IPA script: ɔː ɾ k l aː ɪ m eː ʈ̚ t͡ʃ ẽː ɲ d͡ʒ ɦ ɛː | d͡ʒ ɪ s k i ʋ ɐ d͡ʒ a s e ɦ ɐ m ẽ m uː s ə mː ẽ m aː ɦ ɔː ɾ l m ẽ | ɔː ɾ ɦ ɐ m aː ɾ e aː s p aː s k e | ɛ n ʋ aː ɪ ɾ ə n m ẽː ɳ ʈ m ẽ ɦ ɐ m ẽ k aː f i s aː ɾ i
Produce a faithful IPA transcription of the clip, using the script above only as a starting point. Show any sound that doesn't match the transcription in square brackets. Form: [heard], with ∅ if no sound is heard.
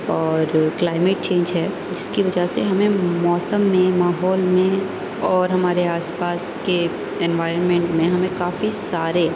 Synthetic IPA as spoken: ɔː ɾ k l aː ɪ m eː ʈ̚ t͡ʃ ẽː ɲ d͡ʒ ɦ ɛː | d͡ʒ ɪ s k i ʋ ɐ d͡ʒ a s e ɦ ɐ m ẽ m [ɔː] s ə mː ẽ m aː ɦ ɔː [∅] l m ẽ | ɔː ɾ ɦ ɐ m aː ɾ e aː s p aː s k e | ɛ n ʋ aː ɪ ɾ ə n m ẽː ɳ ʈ m ẽ ɦ ɐ m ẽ k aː f i s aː ɾ [e]